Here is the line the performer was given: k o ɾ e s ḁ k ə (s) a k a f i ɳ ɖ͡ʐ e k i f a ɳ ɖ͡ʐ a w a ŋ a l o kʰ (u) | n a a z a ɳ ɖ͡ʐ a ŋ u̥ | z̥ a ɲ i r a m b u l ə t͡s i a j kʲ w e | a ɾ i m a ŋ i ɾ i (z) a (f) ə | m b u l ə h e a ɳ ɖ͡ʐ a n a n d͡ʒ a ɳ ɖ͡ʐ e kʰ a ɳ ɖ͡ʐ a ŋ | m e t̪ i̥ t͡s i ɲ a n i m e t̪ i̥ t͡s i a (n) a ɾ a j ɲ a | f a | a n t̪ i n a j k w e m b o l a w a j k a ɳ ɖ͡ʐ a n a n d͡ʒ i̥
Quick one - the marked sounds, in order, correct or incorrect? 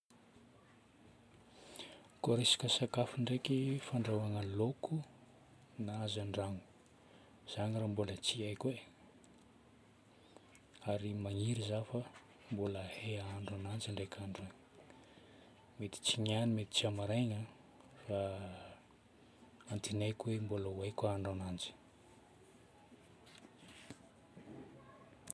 correct, correct, correct, correct, incorrect: m

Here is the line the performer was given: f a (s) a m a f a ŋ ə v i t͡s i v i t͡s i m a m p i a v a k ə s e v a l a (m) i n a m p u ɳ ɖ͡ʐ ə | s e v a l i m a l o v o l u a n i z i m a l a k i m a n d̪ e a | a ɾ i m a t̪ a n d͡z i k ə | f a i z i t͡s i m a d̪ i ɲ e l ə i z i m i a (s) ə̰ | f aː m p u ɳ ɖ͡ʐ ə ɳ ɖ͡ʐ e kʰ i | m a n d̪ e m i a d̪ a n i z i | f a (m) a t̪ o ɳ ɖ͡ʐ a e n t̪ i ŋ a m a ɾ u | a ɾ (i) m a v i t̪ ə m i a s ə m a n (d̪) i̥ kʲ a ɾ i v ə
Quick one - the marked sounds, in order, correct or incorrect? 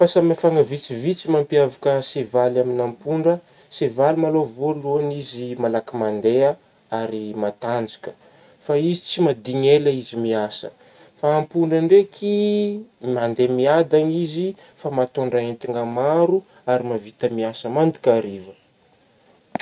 correct, correct, correct, correct, correct, correct

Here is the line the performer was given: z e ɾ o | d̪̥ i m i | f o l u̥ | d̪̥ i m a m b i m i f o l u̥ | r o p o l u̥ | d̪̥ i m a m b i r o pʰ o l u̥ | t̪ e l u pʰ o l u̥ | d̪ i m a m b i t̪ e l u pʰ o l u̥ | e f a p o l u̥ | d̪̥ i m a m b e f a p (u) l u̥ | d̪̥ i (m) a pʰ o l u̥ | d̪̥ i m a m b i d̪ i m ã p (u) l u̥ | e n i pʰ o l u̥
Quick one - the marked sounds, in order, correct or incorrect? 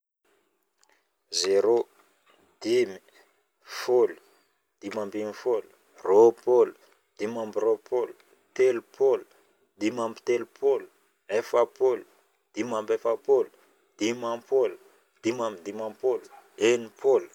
incorrect: o, correct, incorrect: o

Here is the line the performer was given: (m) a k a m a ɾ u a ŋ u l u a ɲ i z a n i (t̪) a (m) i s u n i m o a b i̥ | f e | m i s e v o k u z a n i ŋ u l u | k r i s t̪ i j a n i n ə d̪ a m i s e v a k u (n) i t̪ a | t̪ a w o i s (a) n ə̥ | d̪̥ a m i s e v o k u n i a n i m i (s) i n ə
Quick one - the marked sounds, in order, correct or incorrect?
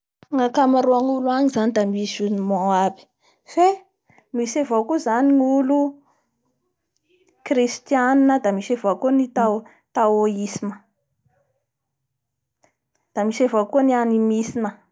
incorrect: ŋ, incorrect: d̪, correct, correct, incorrect: i, correct

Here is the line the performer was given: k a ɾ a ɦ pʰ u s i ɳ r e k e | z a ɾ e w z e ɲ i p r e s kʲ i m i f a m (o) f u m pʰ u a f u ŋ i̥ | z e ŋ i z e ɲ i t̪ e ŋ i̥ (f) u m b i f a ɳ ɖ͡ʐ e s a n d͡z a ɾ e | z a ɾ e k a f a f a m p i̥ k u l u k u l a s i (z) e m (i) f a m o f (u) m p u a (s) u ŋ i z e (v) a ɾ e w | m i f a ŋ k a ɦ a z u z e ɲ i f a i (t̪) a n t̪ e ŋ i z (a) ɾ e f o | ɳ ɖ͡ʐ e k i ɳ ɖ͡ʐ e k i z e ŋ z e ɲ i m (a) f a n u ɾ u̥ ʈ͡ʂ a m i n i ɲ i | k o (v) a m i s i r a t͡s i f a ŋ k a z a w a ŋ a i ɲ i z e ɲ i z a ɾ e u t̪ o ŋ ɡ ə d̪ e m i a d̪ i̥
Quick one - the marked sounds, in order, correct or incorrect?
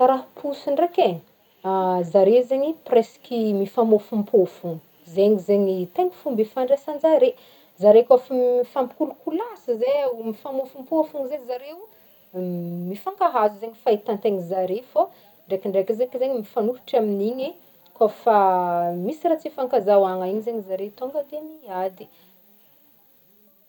correct, correct, correct, correct, correct, incorrect: f, incorrect: z, correct, correct, incorrect: i, incorrect: f

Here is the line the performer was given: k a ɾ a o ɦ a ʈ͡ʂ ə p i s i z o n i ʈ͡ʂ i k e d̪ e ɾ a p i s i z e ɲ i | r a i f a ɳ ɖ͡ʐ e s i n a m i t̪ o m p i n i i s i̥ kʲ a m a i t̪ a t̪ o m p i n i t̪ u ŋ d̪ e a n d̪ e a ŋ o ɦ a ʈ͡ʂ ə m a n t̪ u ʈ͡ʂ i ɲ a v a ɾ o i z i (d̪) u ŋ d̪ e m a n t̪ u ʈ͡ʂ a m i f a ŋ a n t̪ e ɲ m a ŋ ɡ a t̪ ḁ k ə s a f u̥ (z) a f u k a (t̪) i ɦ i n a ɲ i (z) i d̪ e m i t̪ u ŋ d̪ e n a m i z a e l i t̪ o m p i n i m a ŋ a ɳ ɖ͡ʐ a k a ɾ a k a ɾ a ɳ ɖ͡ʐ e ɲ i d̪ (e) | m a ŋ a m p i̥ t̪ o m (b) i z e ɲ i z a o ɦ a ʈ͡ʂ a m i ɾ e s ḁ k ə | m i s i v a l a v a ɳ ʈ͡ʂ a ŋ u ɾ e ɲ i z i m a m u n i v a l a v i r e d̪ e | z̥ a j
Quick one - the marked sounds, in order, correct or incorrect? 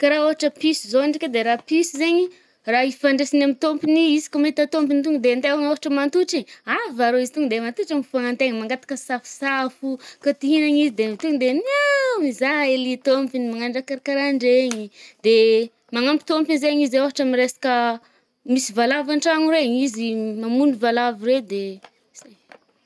incorrect: t̪, incorrect: s, correct, correct, correct, incorrect: p

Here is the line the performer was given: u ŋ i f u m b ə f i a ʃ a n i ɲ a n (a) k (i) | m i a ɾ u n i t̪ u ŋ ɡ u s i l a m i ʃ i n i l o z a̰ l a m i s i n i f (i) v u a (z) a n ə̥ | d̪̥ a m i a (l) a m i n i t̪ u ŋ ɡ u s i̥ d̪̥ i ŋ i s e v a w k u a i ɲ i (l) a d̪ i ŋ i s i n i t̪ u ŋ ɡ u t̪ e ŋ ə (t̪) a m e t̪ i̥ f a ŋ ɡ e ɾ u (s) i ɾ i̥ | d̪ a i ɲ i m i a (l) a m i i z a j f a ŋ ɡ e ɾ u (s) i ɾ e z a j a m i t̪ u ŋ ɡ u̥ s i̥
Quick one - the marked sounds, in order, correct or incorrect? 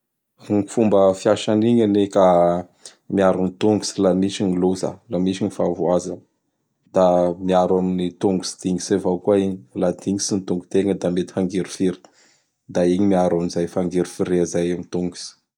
incorrect: e, incorrect: a, incorrect: a, correct, incorrect: ɾ, correct, incorrect: d̪, incorrect: f, incorrect: ɾ, incorrect: f

